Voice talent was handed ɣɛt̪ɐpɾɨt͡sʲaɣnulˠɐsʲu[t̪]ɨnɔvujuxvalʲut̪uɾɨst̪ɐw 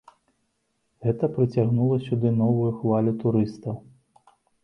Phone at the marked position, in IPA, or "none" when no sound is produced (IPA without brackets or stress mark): d̪